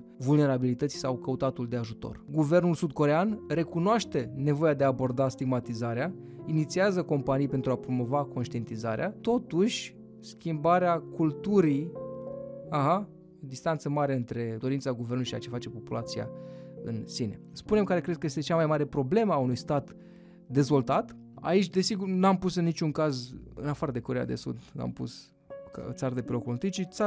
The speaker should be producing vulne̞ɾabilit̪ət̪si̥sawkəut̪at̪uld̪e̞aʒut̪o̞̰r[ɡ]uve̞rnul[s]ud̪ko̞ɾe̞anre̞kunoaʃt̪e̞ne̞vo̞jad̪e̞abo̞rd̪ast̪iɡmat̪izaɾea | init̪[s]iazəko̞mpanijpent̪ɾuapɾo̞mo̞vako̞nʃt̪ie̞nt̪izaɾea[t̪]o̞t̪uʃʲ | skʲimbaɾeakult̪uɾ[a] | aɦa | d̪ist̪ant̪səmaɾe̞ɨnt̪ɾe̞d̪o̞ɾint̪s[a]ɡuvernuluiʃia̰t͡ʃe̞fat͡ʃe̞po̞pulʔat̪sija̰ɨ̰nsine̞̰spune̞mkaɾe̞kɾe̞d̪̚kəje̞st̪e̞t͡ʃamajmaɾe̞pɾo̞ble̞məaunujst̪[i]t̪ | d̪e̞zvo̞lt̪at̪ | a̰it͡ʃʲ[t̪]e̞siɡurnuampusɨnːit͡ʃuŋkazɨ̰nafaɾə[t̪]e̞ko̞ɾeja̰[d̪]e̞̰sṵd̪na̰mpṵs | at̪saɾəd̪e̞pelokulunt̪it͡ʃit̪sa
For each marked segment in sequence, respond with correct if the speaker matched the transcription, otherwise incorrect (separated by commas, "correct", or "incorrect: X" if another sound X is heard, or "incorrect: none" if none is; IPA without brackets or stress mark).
correct, correct, correct, correct, incorrect: i, correct, incorrect: a, incorrect: d̪, incorrect: d̪, correct